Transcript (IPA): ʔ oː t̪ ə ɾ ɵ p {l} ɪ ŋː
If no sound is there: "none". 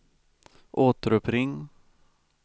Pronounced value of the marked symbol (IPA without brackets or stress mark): ɾ